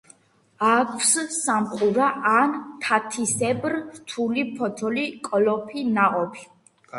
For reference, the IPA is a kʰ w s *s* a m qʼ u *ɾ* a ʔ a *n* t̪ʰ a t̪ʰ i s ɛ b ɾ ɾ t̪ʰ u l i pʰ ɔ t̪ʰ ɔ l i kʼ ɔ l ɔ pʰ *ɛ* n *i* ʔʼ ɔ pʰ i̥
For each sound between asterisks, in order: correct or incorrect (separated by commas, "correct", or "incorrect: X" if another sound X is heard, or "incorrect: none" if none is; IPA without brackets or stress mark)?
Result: correct, correct, correct, incorrect: i, incorrect: a